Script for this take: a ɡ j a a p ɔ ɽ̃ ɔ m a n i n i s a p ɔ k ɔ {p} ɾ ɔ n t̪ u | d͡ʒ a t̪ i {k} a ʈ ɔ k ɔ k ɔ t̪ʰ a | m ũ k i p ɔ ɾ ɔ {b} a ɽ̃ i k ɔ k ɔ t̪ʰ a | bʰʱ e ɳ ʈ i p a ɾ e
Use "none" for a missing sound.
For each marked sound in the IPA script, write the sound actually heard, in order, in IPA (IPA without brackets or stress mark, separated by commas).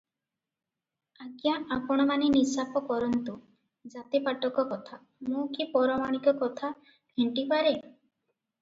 none, p, m